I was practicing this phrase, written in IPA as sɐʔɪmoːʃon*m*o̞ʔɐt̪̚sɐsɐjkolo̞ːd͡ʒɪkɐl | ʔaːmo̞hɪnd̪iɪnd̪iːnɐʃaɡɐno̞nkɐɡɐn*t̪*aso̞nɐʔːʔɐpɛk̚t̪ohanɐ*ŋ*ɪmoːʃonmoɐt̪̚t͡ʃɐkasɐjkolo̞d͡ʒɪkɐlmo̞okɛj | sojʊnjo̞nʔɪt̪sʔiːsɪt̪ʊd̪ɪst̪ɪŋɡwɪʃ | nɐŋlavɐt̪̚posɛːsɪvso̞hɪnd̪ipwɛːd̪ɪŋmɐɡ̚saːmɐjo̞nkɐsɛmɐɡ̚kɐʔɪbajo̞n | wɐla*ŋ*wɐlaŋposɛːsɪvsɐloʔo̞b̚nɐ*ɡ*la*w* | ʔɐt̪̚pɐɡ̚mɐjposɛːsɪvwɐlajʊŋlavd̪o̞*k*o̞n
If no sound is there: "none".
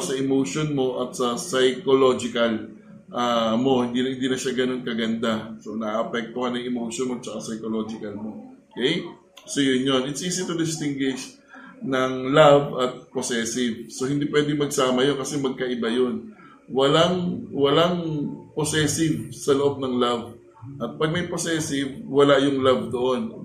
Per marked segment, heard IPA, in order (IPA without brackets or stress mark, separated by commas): m, d̪, ŋ, ŋ, ŋ, v, ʔ